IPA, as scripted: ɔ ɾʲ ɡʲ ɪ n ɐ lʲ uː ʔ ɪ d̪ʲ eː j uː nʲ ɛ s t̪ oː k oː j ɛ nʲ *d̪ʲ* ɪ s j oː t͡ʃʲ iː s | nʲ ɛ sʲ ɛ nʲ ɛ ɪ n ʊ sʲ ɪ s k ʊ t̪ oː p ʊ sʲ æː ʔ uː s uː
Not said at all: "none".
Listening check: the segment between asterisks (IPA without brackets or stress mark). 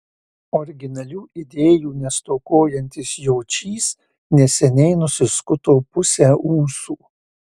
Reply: t̪ʲ